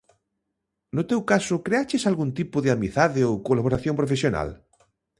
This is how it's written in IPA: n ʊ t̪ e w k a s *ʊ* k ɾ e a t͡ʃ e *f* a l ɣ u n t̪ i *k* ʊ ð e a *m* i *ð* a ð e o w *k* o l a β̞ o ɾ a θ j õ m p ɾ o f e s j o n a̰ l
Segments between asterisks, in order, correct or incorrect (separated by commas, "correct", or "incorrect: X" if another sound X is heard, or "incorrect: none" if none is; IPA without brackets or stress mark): correct, incorrect: s, incorrect: p, correct, incorrect: θ, correct